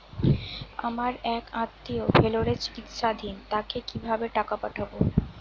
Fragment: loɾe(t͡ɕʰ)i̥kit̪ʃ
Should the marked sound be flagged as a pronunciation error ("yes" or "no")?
yes